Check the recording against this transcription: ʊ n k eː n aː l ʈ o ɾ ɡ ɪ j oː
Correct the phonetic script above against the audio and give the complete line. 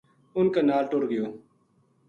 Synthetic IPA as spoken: ʊ n k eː n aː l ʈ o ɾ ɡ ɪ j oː